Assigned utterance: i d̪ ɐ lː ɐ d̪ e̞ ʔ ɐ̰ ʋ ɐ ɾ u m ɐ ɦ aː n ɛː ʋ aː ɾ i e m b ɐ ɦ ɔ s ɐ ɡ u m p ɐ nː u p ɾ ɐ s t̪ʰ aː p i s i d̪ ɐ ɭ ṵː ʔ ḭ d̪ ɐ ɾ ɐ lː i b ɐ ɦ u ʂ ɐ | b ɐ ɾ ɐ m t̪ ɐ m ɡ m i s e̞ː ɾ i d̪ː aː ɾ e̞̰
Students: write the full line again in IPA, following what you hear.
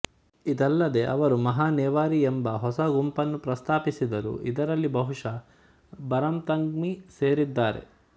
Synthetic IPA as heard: i d̪ ɐ lː ɐ d̪ e̞ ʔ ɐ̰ ʋ ɐ ɾ u m ɐ ɦ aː n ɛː ʋ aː ɾ i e m b ɐ ɦ ɔ s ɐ ɡ u m p ɐ nː u p ɾ ɐ s t̪ʰ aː p i s i d̪ ɐ ɾ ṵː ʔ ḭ d̪ ɐ ɾ ɐ lː i b ɐ ɦ u ʂ ɐ | b ɐ ɾ ɐ m t̪ ɐ ŋ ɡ m i s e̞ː ɾ i d̪ː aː ɾ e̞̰